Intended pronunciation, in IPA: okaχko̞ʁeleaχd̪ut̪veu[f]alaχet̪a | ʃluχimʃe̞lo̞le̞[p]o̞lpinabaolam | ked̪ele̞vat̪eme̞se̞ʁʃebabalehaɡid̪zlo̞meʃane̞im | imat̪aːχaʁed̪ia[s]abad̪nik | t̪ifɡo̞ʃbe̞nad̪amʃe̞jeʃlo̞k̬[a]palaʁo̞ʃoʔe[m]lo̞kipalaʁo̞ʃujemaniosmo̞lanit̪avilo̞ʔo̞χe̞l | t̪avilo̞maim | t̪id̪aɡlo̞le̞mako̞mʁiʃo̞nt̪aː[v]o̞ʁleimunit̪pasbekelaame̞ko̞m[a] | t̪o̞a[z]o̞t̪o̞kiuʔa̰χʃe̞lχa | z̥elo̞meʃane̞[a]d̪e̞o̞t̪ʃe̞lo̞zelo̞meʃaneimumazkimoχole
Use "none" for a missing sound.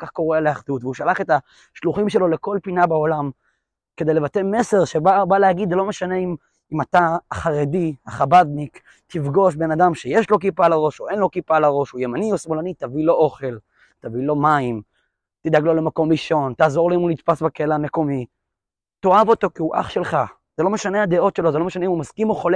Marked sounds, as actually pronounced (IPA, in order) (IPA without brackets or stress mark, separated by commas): ʃ, k, χ, i, n, z, i, v, a